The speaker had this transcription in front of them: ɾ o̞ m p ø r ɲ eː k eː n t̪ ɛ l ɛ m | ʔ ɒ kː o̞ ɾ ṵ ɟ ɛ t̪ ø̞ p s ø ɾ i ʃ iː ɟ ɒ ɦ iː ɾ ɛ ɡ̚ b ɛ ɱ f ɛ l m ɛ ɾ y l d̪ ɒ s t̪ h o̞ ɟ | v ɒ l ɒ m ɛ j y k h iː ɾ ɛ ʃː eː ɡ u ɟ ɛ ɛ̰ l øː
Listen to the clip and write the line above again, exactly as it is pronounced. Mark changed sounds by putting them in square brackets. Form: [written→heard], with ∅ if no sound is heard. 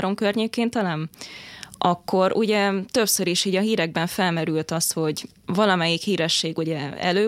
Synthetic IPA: ɾ o̞ m [p→k] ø r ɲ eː k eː n t̪ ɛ l ɛ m | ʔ ɒ kː o̞ ɾ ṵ ɟ ɛ t̪ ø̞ p s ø ɾ i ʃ iː ɟ ɒ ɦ iː ɾ ɛ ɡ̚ b ɛ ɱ f ɛ l m ɛ ɾ y l [d̪→t̪] ɒ s t̪ h o̞ ɟ | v ɒ l ɒ m ɛ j [y→i] k h iː ɾ ɛ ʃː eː ɡ u ɟ ɛ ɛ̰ l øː